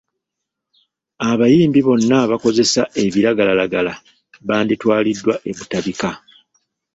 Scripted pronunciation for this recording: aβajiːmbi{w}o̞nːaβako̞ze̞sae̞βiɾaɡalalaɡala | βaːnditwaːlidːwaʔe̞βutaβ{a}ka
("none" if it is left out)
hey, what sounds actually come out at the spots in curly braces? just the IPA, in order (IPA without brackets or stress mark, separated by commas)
β, i